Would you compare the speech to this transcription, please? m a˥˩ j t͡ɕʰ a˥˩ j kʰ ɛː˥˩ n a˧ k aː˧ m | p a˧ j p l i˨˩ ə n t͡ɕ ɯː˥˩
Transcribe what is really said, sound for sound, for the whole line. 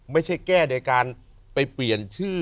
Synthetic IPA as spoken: m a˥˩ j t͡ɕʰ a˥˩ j k ɛː˥˩ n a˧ k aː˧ n | p a˧ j p l i˨˩ ə n t͡ɕʰ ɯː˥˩

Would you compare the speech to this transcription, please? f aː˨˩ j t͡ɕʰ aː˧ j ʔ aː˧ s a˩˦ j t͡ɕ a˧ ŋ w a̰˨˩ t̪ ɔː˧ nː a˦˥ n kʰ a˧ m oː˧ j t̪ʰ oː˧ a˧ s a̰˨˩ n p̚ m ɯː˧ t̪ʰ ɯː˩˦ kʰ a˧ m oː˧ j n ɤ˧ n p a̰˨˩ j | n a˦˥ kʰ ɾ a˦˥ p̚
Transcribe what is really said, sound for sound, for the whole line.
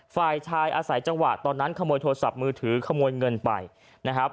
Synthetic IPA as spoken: f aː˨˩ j t͡ɕʰ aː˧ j ʔ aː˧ s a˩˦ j t͡ɕ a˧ ŋ w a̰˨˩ t̪ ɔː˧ nː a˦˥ n kʰ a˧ m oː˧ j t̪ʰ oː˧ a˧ s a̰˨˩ p̚ m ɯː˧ t̪ʰ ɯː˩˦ kʰ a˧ m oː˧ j ŋ ɤ˧ n p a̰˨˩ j | n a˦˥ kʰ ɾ a˦˥ p̚

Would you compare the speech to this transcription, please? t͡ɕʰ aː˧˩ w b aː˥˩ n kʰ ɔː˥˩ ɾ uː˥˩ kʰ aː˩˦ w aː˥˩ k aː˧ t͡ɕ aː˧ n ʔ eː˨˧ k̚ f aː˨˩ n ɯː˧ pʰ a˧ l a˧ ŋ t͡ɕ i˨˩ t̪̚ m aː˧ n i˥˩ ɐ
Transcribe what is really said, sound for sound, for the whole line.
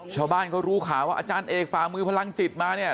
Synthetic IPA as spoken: t͡ɕʰ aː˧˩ w b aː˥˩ n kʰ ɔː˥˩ ɾ uː˦˥ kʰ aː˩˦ w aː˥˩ ʔ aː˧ t͡ɕ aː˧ n ʔ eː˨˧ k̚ f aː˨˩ m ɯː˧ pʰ a˧ l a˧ ŋ t͡ɕ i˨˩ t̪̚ m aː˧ n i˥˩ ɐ

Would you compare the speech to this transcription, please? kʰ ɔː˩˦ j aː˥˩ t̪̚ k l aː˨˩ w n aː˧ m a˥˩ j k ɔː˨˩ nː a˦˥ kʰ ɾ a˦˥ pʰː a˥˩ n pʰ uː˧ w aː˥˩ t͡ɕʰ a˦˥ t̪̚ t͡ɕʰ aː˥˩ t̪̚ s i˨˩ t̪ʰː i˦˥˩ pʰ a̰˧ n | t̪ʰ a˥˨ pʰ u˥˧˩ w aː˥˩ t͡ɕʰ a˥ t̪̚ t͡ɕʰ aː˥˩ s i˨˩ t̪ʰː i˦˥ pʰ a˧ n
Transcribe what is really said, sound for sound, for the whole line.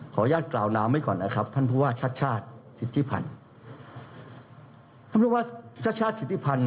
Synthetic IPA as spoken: kʰ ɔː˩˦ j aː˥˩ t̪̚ k l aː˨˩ w n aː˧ m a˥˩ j k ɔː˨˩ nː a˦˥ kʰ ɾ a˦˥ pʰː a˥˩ n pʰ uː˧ w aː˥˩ t͡ɕʰ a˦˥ t̪̚ t͡ɕʰ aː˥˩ t̪̚ s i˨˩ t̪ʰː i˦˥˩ pʰ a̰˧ n | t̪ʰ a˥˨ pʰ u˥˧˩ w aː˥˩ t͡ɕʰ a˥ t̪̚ t͡ɕʰ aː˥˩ s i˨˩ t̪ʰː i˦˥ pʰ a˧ n

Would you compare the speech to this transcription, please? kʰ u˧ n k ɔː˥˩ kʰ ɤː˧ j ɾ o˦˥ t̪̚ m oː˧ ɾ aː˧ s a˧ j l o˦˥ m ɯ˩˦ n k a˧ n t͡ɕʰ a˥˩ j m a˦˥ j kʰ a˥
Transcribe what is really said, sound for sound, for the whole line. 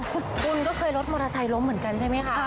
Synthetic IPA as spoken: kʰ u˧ n k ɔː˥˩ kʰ ɤː˧ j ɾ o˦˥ t̪̚ m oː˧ ɾ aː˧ s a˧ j l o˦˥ m ɯ˩˦ n k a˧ n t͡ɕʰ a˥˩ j m a˦˥ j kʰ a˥

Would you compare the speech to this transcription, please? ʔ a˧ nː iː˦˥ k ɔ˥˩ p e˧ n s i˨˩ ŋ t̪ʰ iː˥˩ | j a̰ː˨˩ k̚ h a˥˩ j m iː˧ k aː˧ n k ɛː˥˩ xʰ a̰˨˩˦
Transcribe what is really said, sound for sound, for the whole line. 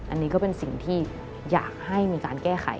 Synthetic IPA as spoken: ʔ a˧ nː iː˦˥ k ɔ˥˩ p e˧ n s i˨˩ ŋ t̪ʰ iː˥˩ | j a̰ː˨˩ k̚ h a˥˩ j m iː˧ k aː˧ n k ɛː˥˩ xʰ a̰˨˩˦

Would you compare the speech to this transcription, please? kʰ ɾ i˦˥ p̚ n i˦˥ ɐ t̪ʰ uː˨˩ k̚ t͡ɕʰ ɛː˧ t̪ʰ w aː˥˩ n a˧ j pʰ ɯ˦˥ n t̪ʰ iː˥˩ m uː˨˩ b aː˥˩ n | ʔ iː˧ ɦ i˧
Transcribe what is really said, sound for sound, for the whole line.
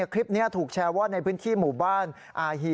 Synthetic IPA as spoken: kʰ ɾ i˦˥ p̚ n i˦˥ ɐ t̪ʰ uː˨˩ k̚ t͡ɕʰ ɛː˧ w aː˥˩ n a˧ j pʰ ɯ˦˥ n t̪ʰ iː˥˩ m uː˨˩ b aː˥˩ n | ʔ aː˧ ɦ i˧

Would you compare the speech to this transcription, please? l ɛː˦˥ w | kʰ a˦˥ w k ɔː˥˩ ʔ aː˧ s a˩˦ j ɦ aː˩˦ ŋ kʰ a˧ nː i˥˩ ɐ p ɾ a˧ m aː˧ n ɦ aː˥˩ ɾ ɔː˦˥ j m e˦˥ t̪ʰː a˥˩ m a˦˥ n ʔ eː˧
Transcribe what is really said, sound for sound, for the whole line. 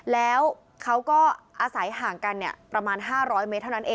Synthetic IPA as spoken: l ɛː˦˥ w | kʰ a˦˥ w k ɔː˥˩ ʔ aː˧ s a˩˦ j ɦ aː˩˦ ŋ k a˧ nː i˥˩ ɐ p ɾ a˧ m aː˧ n ɦ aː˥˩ ɾ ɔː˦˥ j m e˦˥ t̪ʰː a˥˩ n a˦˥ n ʔ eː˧

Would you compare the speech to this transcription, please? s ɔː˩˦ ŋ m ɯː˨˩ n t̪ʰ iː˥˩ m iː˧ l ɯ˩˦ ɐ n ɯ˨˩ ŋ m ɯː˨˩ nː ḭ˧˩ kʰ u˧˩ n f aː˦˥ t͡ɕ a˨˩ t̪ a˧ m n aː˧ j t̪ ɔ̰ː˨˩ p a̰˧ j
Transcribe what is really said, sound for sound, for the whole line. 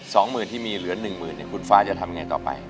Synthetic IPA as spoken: s ɔː˩˦ ŋ m ɯː˨˩ n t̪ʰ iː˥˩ m iː˧ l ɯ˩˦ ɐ n ɯ˨˩ ŋ m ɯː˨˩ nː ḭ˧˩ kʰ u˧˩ n f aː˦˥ t͡ɕ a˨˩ t̪ʰ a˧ m ŋ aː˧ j t̪ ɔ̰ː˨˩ p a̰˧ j

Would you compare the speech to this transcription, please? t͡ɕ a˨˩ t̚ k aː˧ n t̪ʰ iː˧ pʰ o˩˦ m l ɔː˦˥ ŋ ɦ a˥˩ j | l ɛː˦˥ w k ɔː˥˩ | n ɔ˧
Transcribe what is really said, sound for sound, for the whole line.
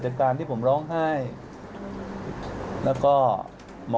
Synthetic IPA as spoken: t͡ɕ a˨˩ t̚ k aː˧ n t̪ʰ iː˥˩ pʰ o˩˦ m ɾ ɔː˦˥ ŋ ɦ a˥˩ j | l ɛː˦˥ w k ɔː˥˩ | m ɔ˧

